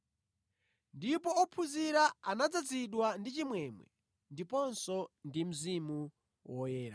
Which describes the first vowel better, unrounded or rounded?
unrounded